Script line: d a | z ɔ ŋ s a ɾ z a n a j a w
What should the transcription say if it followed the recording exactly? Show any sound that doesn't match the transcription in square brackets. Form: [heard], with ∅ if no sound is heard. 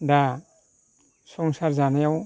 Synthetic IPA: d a | [s] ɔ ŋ s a ɾ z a n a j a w